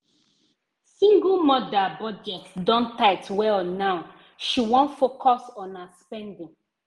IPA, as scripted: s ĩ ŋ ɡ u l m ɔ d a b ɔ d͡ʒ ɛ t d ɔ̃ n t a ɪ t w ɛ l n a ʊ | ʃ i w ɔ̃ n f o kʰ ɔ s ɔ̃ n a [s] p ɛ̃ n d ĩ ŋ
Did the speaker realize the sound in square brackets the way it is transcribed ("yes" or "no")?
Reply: yes